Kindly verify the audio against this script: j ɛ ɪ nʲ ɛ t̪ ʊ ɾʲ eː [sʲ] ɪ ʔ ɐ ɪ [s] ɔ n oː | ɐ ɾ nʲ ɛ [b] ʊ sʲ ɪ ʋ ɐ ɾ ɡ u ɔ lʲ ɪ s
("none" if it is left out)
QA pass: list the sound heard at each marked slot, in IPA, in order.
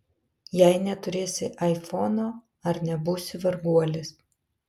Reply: sʲ, f, b

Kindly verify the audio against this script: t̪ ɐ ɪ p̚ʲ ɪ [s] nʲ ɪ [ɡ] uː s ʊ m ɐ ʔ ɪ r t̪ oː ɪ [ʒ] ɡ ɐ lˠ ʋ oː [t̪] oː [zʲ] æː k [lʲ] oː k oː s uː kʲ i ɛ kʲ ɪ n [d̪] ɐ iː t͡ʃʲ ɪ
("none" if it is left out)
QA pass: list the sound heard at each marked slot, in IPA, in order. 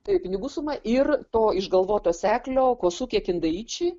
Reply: none, ɡ, ʒ, t̪, sʲ, lʲ, d̪

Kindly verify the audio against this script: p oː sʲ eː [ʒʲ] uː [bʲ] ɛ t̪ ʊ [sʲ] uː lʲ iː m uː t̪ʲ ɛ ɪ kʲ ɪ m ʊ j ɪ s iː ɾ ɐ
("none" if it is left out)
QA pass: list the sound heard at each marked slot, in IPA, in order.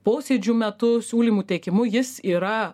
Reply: d͡ʒʲ, mʲ, sʲ

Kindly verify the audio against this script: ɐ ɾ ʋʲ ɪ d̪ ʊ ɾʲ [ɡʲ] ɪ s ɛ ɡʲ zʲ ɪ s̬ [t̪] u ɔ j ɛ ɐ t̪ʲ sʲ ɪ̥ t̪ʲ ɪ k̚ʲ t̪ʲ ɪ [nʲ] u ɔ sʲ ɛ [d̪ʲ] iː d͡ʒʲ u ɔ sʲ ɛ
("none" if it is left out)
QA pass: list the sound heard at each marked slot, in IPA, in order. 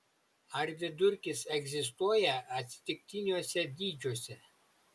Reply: kʲ, t̪, nʲ, d̪ʲ

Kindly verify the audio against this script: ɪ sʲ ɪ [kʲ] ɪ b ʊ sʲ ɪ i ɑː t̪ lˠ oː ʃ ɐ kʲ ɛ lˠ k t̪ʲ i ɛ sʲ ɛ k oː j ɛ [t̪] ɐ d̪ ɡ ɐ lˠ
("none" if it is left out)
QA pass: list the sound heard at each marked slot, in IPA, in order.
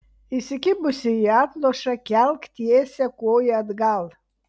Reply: kʲ, none

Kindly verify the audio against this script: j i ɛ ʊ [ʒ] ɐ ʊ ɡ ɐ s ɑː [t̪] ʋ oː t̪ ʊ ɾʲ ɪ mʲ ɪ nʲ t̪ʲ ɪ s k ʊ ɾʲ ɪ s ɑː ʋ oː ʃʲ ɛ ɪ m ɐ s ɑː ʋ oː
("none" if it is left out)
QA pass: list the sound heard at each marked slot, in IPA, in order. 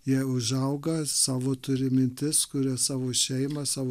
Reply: ʒ, none

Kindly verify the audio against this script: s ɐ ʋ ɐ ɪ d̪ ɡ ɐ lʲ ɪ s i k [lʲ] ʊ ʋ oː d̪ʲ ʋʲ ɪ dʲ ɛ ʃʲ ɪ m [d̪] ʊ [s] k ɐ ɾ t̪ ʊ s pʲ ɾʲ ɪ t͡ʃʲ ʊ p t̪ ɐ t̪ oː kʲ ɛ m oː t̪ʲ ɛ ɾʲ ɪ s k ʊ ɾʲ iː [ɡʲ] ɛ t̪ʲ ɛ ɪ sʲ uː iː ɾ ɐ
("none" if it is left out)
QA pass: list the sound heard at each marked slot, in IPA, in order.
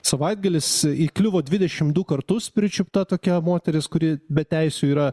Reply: lʲ, d̪, none, bʲ

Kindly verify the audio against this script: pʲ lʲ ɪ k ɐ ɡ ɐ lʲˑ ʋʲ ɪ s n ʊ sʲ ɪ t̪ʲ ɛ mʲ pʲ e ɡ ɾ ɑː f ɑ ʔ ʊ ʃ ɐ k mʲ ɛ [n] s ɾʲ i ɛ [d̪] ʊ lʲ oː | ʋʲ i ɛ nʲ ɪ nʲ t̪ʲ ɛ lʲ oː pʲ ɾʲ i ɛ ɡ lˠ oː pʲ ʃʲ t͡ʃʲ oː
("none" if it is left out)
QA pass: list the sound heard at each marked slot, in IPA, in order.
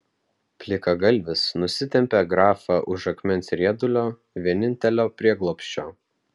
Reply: n, d̪

